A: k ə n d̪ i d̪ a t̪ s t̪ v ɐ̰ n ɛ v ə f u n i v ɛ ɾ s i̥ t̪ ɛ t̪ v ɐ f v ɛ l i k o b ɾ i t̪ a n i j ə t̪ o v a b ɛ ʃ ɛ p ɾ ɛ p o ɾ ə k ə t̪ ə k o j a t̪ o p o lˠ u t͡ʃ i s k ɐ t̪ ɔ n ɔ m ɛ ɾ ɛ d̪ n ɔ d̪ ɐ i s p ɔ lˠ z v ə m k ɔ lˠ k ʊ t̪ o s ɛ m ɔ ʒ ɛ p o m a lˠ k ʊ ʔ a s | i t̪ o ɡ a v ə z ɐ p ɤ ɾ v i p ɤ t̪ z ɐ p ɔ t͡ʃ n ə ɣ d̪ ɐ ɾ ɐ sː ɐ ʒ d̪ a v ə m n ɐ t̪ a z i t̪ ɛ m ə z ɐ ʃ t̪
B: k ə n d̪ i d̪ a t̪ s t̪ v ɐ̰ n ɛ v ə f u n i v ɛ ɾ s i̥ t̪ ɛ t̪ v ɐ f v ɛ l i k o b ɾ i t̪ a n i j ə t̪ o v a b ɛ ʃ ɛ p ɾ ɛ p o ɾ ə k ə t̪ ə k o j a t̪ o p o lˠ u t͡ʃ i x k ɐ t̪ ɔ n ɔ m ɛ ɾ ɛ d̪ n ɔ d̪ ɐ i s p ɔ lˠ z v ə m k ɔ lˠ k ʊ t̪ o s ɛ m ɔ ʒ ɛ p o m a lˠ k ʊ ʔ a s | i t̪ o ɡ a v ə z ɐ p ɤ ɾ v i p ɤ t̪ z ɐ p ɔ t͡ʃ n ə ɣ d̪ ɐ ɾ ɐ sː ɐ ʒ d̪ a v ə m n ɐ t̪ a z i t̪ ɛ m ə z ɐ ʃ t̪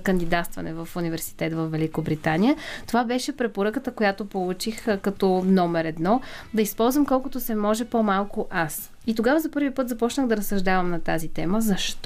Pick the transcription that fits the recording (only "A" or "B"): B